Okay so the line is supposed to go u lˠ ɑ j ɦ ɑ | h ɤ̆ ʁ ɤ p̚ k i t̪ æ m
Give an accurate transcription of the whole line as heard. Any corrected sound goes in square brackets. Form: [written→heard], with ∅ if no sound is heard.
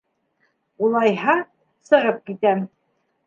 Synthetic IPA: u lˠ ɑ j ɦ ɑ | [h→s] ɤ̆ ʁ ɤ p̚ k i t̪ æ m

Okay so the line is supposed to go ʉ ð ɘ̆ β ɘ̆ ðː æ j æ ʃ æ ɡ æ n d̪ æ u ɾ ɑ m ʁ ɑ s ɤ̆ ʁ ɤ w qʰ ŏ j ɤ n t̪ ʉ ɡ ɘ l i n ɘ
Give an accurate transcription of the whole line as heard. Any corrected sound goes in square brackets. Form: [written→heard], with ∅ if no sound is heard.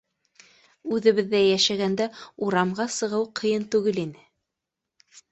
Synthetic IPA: ʉ ð ɘ̆ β ɘ̆ ðː æ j æ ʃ æ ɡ æ n d̪ æ u ɾ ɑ m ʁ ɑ s ɤ̆ ʁ ɤ w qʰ [ŏ→ɤ̆] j ɤ n t̪ ʉ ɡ ɘ l i n ɘ

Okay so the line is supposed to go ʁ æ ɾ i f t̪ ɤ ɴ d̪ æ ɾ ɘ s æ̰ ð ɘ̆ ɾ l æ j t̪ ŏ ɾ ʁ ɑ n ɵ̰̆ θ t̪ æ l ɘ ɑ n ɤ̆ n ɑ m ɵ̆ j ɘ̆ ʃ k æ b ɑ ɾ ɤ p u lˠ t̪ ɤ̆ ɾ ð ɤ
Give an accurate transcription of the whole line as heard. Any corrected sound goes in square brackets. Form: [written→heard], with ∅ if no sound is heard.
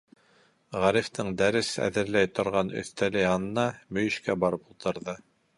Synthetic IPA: ʁ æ ɾ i f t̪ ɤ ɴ d̪ æ ɾ ɘ s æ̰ ð ɘ̆ ɾ l æ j t̪ ŏ ɾ ʁ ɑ n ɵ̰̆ θ t̪ æ l ɘ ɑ n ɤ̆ n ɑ m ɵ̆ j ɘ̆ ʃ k æ b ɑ ɾ ɤ p u lˠ t̪ ɤ̆ ɾ ð ɤ

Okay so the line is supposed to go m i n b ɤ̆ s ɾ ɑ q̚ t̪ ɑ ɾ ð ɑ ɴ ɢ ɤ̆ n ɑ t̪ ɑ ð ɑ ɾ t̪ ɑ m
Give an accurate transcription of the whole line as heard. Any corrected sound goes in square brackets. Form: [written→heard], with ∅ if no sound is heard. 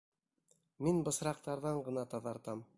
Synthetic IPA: m i n b ɤ̆ s ɾ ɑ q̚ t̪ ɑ ɾ ð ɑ ɴ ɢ ɤ̆ n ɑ t̪ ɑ ð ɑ ɾ t̪ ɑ m

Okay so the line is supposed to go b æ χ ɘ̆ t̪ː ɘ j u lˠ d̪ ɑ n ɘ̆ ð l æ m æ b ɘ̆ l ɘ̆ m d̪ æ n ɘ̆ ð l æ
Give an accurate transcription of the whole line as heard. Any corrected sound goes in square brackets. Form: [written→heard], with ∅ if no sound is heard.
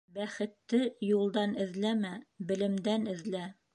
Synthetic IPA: b æ χ ɘ̆ t̪ː ɘ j u lˠ d̪ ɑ n ɘ̆ ð l æ m æ b ɘ̆ l ɘ̆ m d̪ æ n ɘ̆ ð l æ

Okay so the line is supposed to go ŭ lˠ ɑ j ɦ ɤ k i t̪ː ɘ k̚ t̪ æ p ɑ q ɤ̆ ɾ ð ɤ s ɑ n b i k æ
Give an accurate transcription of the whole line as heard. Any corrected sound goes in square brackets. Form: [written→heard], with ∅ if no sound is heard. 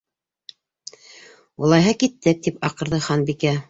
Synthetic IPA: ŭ lˠ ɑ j ɦ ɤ k i t̪ː ɘ k̚ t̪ [æ→i] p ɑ q ɤ̆ ɾ ð ɤ [s→χ] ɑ n b i k æ

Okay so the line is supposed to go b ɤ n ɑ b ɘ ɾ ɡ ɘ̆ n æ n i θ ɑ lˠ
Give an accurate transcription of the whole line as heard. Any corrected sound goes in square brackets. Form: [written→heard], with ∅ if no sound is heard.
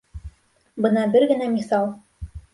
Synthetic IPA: b ɤ n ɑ b ɘ ɾ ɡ ɘ̆ n æ [n→m] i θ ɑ lˠ

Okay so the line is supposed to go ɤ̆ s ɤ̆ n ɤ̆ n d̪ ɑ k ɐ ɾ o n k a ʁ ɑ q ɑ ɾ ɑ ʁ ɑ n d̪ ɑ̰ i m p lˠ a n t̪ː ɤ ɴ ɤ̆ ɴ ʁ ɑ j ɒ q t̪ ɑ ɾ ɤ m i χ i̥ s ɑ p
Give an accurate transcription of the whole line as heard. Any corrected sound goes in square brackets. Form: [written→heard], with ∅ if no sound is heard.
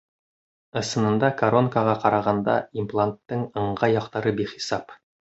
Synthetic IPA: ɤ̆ s ɤ̆ n ɤ̆ n d̪ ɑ k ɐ ɾ o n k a ʁ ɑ q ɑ ɾ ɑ ʁ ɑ n d̪ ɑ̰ i m p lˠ a n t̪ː ɤ ɴ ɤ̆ ɴ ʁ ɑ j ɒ q t̪ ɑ ɾ ɤ [m→b] i χ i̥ s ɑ p

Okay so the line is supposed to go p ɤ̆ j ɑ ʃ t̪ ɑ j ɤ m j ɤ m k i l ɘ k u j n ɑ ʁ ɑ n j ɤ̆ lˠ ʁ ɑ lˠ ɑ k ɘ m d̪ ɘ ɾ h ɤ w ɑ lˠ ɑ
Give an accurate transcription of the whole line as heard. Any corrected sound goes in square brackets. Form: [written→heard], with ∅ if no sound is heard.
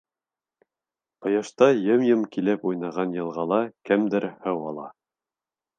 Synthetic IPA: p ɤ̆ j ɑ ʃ t̪ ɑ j ɤ m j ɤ m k i l ɘ [k→p] u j n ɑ ʁ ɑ n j ɤ̆ lˠ ʁ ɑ lˠ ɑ k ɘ m d̪ ɘ ɾ h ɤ w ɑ lˠ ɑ

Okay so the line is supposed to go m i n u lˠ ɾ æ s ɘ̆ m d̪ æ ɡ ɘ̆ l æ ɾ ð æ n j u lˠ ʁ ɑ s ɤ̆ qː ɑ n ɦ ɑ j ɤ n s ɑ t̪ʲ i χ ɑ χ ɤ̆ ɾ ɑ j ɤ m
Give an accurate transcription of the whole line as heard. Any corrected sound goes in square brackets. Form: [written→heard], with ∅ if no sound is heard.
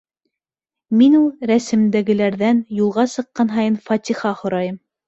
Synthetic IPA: m i n u lˠ ɾ æ s ɘ̆ m d̪ æ ɡ ɘ̆ l æ ɾ ð æ n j u lˠ ʁ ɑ s ɤ̆ qː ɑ n ɦ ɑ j ɤ n [s→f] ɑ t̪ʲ i χ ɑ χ [ɤ̆→ŏ] ɾ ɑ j ɤ m

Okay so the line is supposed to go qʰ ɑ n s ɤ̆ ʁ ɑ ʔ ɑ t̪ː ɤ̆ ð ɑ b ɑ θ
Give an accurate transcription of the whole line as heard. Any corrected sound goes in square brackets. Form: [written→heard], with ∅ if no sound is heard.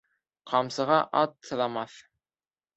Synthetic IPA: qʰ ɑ [n→m] s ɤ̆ ʁ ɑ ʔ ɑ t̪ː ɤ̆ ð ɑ [b→m] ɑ θ

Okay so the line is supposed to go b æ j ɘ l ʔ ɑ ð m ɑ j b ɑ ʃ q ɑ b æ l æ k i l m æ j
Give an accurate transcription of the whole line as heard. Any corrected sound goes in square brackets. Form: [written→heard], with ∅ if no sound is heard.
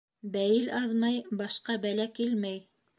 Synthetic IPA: b æ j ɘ l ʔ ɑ ð m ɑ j b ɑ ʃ q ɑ b æ l æ k i l m æ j

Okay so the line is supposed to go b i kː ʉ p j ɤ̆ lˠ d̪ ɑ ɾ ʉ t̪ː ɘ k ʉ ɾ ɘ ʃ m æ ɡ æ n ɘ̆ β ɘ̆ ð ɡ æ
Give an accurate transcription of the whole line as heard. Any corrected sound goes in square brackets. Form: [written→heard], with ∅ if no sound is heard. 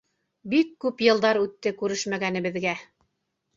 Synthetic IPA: b i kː ʉ p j ɤ̆ lˠ d̪ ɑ ɾ ʉ t̪ː ɘ k ʉ ɾ ɘ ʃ m æ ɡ æ n ɘ̆ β ɘ̆ ð ɡ æ

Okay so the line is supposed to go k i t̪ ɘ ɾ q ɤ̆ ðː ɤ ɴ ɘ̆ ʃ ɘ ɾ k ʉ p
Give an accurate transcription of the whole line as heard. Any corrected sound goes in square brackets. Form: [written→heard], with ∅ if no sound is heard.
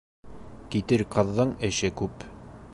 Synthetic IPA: k i t̪ ɘ ɾ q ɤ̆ ðː ɤ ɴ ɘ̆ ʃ ɘ [ɾ→∅] k ʉ p

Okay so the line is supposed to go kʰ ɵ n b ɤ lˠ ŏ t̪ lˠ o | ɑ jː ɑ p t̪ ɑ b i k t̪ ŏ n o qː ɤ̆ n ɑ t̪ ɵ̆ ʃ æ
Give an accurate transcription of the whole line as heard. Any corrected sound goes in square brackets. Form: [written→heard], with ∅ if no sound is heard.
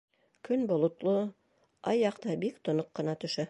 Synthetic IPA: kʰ ɵ n b [ɤ→o] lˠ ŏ t̪ lˠ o | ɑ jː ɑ [p→q] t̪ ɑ b i k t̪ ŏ n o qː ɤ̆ n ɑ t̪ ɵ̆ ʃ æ

